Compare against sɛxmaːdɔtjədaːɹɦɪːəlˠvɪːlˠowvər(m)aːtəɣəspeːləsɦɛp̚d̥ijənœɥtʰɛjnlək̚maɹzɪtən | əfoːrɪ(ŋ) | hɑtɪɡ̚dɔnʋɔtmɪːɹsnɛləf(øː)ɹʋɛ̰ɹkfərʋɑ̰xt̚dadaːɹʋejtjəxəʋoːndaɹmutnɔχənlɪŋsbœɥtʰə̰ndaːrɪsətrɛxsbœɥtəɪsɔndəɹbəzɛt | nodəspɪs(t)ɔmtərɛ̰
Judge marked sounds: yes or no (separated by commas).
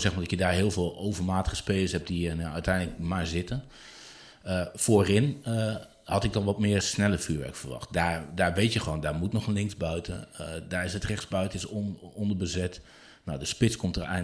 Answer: yes, no, no, no